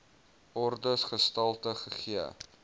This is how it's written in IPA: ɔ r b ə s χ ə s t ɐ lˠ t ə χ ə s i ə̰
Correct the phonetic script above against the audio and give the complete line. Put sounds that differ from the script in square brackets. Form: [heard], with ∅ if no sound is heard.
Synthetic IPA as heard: ɔ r [d] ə s χ ə s t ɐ lˠ t ə χ ə [χ] i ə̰